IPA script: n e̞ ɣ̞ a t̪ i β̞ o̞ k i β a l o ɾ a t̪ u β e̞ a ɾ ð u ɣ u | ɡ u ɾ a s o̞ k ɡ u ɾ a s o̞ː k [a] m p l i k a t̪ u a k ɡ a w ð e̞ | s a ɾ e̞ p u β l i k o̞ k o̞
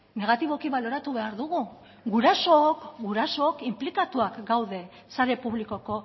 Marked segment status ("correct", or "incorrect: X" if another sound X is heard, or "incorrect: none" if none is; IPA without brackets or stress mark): incorrect: i